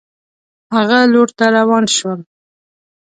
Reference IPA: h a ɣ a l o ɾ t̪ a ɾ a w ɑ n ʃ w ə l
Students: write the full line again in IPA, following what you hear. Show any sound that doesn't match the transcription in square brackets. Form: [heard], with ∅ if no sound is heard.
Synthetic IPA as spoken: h a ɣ a l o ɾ t̪ a ɾ a w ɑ n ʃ w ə l